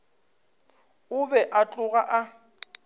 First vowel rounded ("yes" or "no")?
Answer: yes